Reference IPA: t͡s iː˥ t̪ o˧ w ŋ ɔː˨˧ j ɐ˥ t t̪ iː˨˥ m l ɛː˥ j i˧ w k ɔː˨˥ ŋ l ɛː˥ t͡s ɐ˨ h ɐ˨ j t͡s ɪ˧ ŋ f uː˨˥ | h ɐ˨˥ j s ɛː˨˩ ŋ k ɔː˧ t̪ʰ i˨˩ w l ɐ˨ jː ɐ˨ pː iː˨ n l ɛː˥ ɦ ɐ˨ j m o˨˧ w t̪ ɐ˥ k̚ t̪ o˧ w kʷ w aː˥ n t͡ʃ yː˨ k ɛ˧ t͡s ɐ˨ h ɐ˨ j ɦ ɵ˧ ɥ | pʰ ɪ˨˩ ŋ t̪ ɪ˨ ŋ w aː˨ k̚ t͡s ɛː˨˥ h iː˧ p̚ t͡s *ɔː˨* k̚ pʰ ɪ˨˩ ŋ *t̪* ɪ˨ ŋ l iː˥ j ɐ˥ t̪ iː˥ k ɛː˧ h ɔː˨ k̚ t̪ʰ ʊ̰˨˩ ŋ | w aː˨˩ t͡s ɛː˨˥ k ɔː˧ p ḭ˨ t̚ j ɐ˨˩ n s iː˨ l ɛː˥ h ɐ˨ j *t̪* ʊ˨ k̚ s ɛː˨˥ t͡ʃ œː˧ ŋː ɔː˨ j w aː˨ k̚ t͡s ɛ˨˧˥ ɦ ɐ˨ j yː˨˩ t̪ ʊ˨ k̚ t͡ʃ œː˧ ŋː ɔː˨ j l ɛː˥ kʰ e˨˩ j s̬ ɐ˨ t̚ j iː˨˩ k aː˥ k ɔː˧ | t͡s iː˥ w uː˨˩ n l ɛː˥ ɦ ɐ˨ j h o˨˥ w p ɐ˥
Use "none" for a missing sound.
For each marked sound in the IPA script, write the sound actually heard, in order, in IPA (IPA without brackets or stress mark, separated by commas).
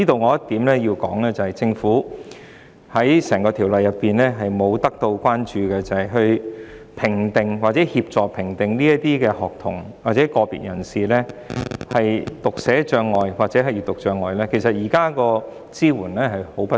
ɔː˨, t̪, t̪